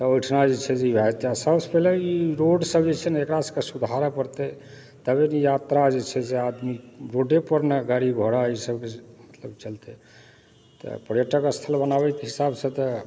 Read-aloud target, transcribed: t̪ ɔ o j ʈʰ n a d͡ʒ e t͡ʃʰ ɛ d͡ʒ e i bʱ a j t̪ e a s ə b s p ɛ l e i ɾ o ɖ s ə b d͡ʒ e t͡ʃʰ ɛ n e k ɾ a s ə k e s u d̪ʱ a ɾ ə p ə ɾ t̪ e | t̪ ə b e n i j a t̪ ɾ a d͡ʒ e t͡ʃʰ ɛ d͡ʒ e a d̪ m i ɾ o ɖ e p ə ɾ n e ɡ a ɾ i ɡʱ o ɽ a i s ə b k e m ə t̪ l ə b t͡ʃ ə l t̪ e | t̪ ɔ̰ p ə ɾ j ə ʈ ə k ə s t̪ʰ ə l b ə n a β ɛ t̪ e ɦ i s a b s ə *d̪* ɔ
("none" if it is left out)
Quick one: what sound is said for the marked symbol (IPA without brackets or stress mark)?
t̪